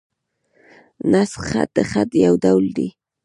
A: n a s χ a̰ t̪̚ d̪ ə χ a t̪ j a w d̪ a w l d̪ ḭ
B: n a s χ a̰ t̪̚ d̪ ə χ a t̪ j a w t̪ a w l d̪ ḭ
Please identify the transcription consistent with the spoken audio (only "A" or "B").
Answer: A